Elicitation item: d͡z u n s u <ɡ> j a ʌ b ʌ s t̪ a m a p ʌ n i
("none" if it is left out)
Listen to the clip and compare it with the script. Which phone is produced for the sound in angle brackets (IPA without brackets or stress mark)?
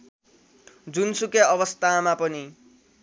k